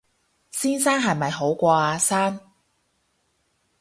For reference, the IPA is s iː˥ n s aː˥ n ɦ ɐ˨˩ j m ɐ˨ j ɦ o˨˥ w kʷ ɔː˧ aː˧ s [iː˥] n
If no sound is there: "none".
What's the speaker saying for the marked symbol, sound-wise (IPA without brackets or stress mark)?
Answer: aː˥